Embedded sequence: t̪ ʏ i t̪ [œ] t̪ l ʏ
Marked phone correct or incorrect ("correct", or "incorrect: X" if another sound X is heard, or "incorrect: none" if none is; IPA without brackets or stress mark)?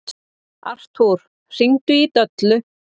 correct